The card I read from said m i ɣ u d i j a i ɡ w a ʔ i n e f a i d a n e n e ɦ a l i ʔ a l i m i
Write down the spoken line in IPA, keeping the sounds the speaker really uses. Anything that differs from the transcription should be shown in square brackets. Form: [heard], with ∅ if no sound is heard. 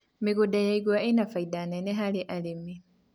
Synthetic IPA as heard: m i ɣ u d [a] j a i ɡ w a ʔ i n [a] f a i d a n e n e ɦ a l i ʔ a l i m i